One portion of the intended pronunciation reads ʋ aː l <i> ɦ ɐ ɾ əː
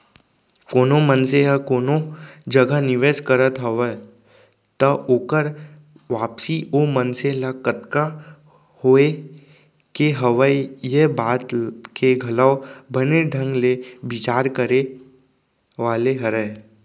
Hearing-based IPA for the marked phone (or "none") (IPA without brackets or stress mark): e